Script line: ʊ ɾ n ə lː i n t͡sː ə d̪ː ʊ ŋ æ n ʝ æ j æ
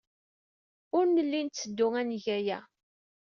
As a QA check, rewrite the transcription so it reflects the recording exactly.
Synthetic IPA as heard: ʊ ɾ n ə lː i n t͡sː ə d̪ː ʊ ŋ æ n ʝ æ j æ